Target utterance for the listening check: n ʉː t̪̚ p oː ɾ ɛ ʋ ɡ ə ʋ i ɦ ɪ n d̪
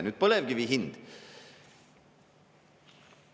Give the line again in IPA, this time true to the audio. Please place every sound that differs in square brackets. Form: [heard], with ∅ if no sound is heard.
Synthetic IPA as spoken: n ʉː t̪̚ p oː [l] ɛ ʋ ɡ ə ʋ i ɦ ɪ n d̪